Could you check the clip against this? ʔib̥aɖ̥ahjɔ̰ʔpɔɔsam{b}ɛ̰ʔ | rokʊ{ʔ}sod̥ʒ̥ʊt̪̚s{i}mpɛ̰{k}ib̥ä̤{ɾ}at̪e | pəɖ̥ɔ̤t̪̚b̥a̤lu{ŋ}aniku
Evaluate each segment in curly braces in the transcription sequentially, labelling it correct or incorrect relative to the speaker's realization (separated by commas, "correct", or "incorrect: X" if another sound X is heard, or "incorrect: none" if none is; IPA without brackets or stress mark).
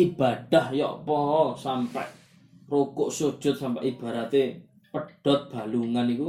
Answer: incorrect: p, correct, incorrect: a, incorrect: ʔ, correct, correct